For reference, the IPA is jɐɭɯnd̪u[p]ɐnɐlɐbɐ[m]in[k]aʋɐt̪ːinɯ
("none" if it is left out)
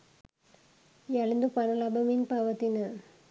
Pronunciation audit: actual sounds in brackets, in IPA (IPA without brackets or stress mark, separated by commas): p, m, p